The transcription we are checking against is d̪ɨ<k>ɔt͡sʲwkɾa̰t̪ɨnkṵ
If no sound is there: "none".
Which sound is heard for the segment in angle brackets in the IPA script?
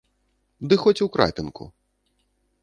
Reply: x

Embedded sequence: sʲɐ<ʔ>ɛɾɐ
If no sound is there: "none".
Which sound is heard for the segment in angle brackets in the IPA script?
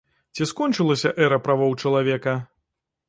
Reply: ʔ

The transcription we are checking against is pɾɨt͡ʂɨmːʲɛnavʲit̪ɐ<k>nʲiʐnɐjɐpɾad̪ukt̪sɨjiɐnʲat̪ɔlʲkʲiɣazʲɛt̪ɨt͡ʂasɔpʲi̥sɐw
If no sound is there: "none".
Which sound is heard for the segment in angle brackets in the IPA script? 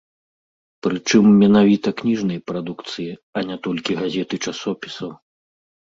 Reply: k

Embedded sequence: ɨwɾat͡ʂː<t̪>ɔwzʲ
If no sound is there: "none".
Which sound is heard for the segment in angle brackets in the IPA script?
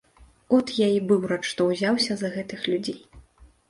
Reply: t̪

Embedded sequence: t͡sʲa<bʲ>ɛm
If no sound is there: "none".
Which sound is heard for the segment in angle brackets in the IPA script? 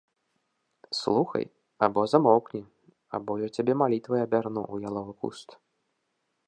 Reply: bʲ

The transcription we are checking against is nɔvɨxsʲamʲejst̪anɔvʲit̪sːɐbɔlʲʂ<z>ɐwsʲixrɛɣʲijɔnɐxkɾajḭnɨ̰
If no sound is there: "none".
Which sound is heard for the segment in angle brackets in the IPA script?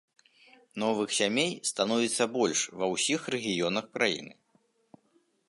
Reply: v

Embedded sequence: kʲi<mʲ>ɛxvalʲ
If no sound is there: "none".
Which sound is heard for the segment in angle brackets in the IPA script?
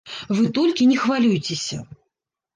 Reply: nʲ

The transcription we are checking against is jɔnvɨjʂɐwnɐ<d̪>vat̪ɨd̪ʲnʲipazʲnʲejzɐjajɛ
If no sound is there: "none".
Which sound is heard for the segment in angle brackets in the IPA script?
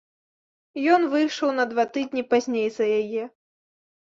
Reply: d̪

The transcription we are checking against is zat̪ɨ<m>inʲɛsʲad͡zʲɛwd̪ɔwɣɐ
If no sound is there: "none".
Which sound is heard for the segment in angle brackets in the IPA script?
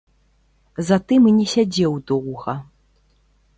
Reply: m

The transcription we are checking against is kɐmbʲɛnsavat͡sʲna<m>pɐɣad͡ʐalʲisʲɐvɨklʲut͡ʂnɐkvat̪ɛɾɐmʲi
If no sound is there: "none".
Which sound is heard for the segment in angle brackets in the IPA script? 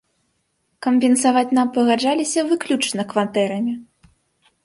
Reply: m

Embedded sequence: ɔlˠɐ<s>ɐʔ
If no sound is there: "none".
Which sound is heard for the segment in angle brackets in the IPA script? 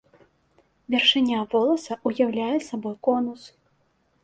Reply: s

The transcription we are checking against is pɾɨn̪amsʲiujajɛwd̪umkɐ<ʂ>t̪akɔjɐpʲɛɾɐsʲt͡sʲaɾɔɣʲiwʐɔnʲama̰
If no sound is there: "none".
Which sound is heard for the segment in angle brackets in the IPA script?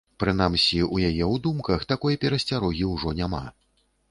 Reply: x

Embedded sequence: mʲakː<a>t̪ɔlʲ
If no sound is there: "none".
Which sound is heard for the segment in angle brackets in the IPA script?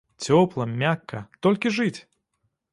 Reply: ɐ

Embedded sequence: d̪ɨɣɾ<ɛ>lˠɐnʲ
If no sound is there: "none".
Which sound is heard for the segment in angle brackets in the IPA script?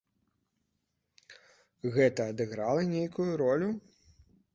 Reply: a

